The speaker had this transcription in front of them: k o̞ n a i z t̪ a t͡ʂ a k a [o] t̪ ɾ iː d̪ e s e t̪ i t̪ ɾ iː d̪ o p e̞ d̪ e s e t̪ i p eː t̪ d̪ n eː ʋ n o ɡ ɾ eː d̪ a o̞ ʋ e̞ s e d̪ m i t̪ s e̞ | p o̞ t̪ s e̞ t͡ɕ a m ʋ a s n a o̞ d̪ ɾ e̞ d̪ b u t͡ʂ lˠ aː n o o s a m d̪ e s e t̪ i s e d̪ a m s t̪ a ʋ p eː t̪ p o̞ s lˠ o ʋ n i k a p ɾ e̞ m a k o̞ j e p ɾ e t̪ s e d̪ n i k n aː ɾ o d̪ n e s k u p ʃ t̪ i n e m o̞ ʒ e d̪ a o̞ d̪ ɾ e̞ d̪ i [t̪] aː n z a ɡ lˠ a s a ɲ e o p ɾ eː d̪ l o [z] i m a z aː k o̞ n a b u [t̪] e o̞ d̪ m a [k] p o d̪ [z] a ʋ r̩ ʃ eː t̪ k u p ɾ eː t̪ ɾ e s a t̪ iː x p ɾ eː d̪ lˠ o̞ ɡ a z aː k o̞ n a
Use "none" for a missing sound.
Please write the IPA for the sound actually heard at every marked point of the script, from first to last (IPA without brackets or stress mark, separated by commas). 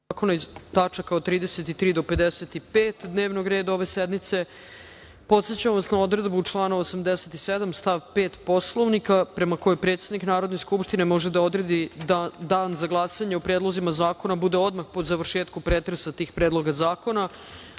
o, d̪, z, d̪, x, z